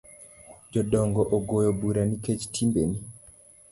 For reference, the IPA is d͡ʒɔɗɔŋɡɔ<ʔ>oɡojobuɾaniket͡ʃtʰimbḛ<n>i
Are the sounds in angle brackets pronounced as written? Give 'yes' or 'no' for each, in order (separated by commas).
yes, yes